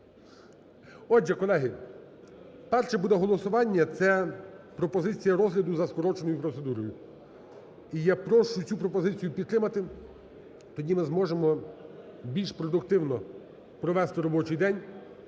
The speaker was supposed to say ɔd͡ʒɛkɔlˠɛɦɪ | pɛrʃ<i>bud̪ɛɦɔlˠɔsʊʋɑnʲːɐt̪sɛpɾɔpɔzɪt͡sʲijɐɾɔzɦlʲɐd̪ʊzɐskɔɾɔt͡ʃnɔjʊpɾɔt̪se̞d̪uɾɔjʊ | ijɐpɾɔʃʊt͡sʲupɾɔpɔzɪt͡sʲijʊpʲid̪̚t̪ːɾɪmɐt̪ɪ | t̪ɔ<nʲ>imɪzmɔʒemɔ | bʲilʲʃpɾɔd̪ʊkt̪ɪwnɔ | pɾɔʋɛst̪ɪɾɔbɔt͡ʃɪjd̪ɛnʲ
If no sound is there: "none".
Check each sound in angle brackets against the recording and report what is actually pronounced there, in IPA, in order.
ɛ, dʲ

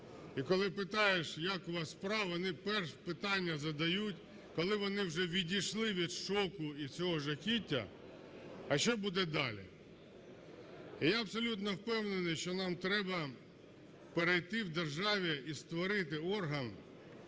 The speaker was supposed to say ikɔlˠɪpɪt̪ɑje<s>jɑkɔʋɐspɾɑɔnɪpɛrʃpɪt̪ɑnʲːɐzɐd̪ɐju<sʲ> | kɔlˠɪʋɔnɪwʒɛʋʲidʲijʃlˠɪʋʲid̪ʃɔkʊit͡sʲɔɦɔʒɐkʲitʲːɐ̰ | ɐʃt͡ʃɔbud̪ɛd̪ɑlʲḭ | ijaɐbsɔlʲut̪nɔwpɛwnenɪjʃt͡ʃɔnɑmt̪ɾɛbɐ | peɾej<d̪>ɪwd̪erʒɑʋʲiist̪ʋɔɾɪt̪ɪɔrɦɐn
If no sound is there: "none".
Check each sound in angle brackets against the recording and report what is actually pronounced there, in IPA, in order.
ʃ, tʲ, t̪

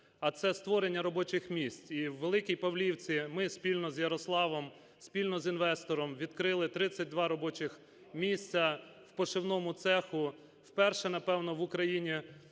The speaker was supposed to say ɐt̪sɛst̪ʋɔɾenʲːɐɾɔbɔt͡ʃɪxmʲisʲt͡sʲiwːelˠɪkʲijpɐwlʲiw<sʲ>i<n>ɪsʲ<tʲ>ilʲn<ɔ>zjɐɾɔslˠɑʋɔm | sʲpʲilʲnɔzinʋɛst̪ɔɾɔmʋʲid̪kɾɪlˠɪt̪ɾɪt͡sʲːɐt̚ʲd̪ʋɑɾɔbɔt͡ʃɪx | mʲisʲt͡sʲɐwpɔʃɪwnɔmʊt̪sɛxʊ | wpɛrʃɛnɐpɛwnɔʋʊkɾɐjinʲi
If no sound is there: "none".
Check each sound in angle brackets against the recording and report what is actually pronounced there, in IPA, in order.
t͡sʲ, m, pʲ, ɔ

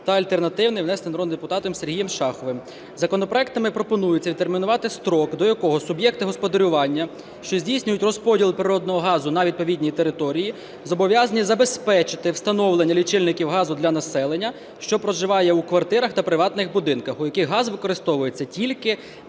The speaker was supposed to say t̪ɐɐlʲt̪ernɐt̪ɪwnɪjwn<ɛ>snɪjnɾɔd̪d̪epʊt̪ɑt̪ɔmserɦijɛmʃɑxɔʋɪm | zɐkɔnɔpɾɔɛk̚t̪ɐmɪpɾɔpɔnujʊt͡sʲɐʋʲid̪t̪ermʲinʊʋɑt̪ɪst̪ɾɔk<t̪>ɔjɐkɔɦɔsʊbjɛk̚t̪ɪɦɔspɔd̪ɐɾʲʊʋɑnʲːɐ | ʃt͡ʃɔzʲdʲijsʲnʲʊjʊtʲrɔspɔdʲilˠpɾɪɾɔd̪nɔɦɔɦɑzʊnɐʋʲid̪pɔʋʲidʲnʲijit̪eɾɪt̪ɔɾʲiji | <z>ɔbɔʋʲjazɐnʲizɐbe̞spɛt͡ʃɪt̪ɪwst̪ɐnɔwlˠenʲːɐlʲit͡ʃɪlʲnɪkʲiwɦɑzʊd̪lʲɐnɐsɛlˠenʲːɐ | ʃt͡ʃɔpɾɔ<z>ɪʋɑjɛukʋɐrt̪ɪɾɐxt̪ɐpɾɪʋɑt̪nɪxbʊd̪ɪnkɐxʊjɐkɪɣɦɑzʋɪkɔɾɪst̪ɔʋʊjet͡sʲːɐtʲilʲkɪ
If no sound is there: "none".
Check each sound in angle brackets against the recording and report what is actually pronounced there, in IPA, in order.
ɛ, d̪, z, ʒ

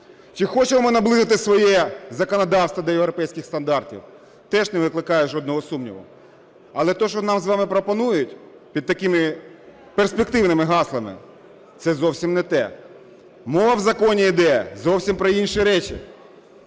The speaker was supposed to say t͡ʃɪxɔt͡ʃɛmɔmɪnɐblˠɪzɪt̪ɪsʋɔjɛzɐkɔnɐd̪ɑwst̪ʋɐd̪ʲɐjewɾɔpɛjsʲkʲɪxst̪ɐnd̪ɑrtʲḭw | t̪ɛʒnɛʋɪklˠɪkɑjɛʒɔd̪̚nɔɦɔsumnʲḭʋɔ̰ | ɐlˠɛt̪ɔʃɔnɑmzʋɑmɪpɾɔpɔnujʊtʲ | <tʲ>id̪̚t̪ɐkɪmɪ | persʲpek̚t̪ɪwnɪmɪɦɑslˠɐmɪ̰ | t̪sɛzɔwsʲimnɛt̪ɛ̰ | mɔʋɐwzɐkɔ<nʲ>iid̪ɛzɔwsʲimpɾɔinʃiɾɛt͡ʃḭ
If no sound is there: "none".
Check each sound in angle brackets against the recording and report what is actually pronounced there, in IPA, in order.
pʲ, nʲ

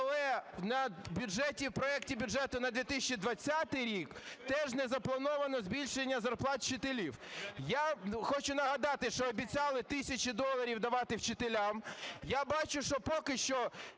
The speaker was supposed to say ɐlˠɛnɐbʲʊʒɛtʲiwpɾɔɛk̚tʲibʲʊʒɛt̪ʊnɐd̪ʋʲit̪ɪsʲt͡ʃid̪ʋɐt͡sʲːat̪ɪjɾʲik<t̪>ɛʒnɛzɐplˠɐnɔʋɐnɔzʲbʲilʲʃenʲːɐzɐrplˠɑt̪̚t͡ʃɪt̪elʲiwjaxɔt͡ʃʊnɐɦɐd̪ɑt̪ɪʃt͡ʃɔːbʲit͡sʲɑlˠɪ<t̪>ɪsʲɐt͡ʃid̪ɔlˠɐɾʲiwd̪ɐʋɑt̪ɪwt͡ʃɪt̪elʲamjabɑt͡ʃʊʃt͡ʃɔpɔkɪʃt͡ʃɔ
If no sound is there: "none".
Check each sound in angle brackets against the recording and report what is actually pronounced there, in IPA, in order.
t̪, t̪

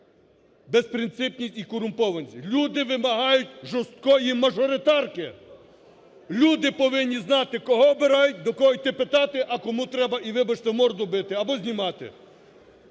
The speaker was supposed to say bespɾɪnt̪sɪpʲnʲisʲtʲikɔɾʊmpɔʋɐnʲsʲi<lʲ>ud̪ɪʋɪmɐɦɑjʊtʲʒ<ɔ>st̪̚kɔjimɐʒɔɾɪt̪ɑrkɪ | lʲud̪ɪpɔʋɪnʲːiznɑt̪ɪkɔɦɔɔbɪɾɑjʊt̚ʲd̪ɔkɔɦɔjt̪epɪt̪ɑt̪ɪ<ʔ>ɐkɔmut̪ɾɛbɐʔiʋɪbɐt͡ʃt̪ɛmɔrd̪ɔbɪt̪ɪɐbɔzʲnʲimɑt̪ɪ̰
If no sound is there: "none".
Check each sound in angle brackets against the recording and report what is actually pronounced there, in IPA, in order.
lʲ, ɔ, ʔ

